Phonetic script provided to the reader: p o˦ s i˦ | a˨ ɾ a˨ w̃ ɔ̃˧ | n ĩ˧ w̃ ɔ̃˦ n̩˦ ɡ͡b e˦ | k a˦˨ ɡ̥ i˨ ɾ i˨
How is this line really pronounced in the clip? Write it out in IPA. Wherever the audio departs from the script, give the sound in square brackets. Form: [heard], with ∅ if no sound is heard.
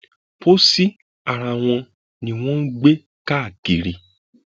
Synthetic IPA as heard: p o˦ s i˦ | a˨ ɾ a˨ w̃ ɔ̃˧ | n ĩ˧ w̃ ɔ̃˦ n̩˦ ɡ͡b e˦ | k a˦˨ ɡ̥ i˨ ɾ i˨